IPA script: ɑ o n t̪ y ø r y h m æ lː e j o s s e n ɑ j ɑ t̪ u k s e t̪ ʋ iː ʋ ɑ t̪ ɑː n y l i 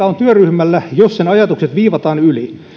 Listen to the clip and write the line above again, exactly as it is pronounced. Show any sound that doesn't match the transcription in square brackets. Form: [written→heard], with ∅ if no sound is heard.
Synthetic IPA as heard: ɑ o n t̪ y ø r y h m æ lː [e→æ] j o s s e n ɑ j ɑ t̪ u k s e t̪ ʋ iː ʋ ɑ t̪ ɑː n y l i